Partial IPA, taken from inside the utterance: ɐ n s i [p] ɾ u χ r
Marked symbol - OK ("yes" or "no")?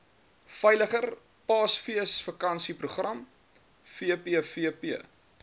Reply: yes